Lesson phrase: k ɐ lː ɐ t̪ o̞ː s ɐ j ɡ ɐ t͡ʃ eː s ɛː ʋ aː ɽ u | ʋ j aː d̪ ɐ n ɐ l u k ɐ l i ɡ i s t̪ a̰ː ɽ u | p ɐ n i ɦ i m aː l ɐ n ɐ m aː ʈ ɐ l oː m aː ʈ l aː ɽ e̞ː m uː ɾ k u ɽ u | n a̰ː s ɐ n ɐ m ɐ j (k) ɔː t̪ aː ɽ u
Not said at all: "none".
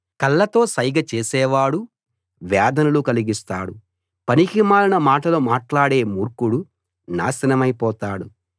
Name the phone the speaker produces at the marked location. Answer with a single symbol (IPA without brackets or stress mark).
p